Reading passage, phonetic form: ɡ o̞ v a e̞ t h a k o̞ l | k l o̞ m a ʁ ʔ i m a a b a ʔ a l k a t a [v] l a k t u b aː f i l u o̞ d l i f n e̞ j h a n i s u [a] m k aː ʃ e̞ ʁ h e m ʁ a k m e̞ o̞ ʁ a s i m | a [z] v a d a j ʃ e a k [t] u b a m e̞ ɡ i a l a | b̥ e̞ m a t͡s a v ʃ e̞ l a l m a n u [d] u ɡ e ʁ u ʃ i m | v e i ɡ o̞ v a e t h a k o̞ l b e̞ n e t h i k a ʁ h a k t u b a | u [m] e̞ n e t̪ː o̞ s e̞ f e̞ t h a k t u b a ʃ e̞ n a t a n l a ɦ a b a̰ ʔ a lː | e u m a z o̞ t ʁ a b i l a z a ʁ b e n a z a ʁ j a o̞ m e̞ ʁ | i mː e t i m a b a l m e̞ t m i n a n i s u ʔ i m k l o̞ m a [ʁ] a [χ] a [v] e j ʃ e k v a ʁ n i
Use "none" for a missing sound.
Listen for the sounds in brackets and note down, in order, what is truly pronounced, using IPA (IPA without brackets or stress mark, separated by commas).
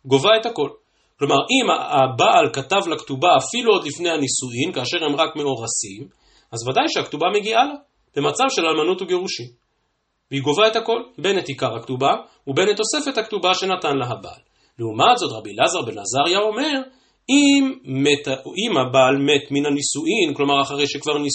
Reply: v, i, z, t, t, b, ʁ, χ, ʁ